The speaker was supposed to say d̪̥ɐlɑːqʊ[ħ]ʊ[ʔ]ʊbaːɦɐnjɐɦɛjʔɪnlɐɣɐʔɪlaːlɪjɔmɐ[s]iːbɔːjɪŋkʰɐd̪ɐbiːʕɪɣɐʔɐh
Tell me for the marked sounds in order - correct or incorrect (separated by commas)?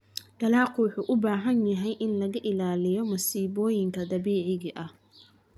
correct, correct, correct